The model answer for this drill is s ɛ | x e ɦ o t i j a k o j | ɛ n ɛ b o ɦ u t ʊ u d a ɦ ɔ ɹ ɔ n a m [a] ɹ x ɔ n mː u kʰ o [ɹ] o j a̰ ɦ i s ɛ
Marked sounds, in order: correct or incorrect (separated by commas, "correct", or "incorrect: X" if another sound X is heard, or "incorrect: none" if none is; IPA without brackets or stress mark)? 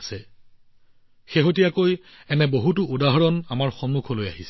correct, incorrect: l